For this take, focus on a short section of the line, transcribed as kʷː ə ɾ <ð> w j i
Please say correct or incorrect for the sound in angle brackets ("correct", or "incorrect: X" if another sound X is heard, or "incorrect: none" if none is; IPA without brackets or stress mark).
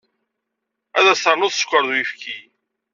correct